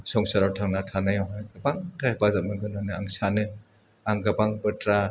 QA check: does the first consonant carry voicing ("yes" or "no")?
no